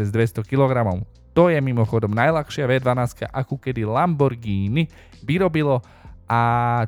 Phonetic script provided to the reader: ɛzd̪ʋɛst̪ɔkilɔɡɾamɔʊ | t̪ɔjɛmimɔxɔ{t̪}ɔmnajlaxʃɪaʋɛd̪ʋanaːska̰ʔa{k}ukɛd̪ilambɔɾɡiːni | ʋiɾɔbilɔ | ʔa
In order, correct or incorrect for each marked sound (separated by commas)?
incorrect, correct